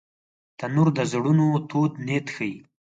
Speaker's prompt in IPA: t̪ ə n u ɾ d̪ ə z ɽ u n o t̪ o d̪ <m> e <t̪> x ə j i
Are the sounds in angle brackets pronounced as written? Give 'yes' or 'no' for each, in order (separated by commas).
no, yes